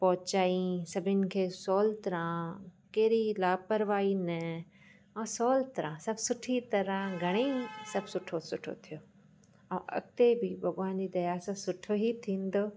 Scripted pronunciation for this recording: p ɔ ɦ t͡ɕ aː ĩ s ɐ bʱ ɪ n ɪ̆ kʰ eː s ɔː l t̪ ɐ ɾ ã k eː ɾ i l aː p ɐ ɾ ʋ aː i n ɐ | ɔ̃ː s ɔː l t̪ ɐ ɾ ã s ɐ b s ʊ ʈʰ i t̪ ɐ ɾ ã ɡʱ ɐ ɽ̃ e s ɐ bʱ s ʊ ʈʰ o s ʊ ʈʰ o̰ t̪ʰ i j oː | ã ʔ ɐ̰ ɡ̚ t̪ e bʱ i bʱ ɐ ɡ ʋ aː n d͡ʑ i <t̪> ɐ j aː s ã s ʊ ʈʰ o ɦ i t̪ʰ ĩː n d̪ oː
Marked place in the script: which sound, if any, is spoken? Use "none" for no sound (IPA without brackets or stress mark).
d̪